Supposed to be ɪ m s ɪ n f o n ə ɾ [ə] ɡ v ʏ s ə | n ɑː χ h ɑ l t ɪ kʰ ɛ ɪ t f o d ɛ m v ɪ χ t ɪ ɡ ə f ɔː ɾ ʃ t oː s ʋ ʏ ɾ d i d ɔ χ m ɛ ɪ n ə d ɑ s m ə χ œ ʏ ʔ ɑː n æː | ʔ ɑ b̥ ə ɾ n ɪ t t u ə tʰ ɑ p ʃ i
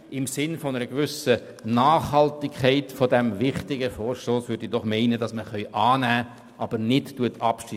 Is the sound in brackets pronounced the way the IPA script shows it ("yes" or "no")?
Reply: yes